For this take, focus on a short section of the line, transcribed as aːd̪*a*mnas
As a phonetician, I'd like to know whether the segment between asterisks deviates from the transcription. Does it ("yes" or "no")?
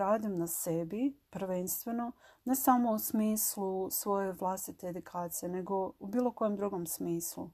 yes